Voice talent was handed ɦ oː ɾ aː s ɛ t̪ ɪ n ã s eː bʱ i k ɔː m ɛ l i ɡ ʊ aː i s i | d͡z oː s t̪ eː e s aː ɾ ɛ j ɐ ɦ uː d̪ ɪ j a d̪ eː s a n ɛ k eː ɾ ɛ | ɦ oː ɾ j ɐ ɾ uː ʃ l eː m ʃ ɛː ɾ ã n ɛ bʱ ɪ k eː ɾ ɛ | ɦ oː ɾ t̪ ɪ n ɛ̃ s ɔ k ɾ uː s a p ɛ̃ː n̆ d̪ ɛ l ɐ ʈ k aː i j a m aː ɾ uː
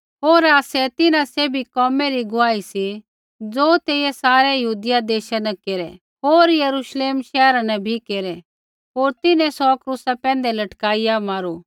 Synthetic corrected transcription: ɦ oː ɾ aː s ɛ t̪ ɪ n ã s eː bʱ i k ɔː m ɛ ɾ i ɡ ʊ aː i s i | d͡z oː t̪ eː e s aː ɾ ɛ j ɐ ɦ uː d̪ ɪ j a d̪ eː ʃ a n ɛ k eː ɾ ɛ | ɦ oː ɾ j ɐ ɾ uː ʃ l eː m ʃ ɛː ɾ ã n ɛ bʱ i k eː ɾ ɛ | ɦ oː ɾ t̪ ɪ n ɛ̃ s ɔ k ɾ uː s a p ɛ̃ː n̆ d̪ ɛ l ɐ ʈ k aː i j a m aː ɾ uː

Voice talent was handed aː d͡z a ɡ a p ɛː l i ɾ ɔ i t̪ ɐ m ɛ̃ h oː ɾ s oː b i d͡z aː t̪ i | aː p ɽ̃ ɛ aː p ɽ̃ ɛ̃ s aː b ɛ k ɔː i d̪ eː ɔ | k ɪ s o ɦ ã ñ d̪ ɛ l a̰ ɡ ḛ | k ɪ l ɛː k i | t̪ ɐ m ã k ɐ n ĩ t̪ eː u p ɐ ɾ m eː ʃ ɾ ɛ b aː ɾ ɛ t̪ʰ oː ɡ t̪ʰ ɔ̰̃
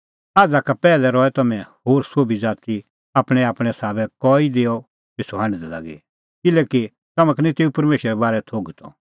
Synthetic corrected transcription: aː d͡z a k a p ɛː l ɛ ɾ ɔ ɛ t̪ ɐ m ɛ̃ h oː ɾ s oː b i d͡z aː t̪ i | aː p ɽ̃ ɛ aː p ɽ̃ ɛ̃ s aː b ɛ k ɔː i d̪ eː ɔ | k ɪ s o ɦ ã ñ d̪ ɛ l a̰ ɡ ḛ | k ɪ l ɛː k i | t̪ ɐ m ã k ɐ n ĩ t̪ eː u p ɐ ɾ m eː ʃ ɾ ɛ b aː ɾ ɛ t̪ʰ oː ɡ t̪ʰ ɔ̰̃

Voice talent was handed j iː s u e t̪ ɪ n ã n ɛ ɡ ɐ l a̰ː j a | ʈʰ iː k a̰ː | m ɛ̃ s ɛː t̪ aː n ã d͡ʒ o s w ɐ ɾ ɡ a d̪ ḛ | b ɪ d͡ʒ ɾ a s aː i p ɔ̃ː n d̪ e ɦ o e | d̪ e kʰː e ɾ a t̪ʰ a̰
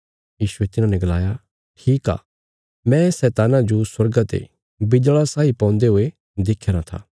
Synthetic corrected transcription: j iː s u e t̪ ɪ n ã n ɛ ɡ ɐ l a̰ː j a | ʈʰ iː k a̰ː | m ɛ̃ s ɛː t̪ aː n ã d͡ʒ o s w ɐ ɾ ɡ a t̪ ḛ | b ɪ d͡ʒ ɭ a s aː i p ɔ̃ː n d̪ e ɦ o e | d̪ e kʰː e ɾ a t̪ʰ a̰

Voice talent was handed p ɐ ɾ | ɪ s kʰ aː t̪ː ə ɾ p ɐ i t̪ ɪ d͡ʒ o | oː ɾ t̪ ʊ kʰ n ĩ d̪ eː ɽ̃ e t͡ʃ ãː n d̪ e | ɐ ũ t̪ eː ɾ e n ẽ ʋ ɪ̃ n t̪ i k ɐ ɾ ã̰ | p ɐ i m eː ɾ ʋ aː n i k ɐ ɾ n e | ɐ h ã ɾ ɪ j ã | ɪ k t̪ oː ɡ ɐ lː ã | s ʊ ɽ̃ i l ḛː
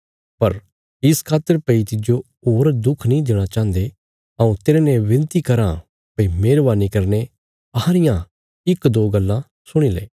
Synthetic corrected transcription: p ɐ ɾ | ɪ s kʰ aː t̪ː ə ɾ p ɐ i t̪ ɪ d͡ʒ o | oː ɾ d̪ ʊ kʰ n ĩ d̪ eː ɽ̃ a t͡ʃ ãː n d̪ e | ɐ ũ t̪ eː ɾ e n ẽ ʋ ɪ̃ n t̪ i k ɐ ɾ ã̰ | p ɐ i m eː ɾ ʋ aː n i k ɐ ɾ n e | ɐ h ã ɾ ɪ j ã | ɪ k d̪ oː ɡ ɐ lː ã | s ʊ ɽ̃ i l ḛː

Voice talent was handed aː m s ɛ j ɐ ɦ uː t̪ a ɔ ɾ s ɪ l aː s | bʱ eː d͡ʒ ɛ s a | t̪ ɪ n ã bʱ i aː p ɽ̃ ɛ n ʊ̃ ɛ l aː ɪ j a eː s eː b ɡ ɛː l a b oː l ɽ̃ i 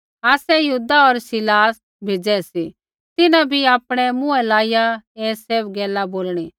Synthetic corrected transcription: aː s ɛ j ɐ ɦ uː d̪ a ɔ ɾ s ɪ l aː s | bʱ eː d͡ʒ ɛ s i | t̪ ɪ n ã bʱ i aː p ɽ̃ ɛ m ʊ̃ ɛ l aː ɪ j a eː s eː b ɡ ɛː l a b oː l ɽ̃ i

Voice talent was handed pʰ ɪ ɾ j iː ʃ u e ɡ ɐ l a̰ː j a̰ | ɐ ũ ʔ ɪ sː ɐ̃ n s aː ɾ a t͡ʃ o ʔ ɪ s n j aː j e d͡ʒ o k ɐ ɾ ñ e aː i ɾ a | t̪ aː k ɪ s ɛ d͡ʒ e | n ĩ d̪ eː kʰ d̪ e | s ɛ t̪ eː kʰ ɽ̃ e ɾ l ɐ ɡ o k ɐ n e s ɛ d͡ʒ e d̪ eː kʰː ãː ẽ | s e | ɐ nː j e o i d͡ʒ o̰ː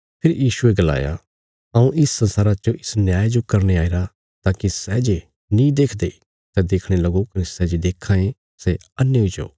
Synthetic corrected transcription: pʰ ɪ ɾ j iː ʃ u e ɡ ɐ l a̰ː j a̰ | ɐ ũ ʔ ɪ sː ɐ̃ n s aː ɾ a t͡ʃ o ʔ ɪ s n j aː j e d͡ʒ o k ɐ ɾ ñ e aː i ɾ a | t̪ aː k i s ɛ d͡ʒ e | n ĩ d̪ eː kʰ d̪ e | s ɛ d̪ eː kʰ ɽ̃ e l ɐ ɡ o k ɐ n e s ɛ d͡ʒ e d̪ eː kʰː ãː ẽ | s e | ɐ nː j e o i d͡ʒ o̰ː

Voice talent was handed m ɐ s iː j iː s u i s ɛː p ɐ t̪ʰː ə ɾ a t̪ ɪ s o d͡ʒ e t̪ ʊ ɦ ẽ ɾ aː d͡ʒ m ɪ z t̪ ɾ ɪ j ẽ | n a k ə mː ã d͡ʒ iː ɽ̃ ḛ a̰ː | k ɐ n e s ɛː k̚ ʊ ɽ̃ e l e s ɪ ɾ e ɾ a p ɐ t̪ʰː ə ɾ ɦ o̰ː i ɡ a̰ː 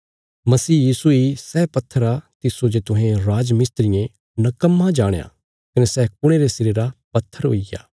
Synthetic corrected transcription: m ɐ s iː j iː s u i s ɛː p ɐ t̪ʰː ə ɾ a t̪ ɪ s o d͡ʒ e t̪ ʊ ɦ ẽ ɾ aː d͡ʒ m ɪ s t̪ ɾ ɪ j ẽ | n ɐ k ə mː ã d͡ʒ aː ɽ̃ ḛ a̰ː | k ɐ n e s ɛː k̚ ʊ ɽ̃ e ɾ e s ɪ ɾ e ɾ a p ɐ t̪ʰː ə ɾ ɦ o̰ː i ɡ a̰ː

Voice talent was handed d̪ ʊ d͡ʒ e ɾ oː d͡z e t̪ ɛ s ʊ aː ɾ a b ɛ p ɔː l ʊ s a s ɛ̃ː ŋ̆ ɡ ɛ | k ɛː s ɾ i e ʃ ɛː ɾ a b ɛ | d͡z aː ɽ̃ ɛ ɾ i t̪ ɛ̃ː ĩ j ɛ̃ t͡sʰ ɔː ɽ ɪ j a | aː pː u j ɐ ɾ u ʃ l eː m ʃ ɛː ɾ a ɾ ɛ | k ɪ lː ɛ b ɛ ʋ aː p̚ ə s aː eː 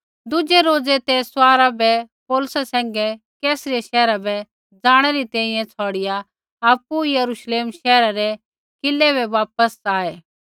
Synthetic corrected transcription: d̪ ʊ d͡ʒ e ɾ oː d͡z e t̪ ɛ s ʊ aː ɾ a b ɛ p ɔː l ʊ s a s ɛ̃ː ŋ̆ ɡ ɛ | k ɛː s ɾ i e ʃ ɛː ɾ a b ɛ | d͡z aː ɽ̃ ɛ ɾ i t̪ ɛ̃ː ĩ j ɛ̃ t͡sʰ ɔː ɽ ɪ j a | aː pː u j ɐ ɾ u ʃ l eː m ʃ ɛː ɾ a ɾ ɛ | k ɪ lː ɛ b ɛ ʋ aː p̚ ə s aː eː

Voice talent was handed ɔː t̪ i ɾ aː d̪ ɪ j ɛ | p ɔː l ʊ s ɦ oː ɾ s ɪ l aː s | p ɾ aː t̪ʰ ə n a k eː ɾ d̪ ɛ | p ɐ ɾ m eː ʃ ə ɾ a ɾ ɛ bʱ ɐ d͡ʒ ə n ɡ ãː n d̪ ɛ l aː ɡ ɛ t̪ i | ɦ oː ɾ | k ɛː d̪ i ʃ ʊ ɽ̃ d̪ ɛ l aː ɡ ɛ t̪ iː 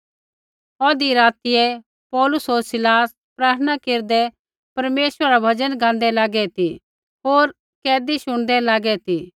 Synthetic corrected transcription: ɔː d̪ i ɾ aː t̪ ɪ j ɛ | p ɔː l ʊ s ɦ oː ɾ s ɪ l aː s | p ɾ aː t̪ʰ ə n a k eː ɾ d̪ ɛ | p ɐ ɾ m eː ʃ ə ɾ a ɾ a bʱ ɐ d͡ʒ ə n ɡ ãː n d̪ ɛ l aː ɡ ɛ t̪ i | ɦ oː ɾ | k ɛː d̪ i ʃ ʊ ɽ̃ d̪ ɛ l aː ɡ ɛ t̪ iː

